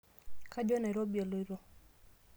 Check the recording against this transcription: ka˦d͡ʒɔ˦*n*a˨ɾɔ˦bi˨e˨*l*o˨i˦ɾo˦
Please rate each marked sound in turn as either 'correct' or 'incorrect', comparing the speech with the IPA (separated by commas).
correct, correct